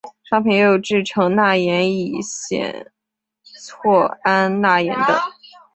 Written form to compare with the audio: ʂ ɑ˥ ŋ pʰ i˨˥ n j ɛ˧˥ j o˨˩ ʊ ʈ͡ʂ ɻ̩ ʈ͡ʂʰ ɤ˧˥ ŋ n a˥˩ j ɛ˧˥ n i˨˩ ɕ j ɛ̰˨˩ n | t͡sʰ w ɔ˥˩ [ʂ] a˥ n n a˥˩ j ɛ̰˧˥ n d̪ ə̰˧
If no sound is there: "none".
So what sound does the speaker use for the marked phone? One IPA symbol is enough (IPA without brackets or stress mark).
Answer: none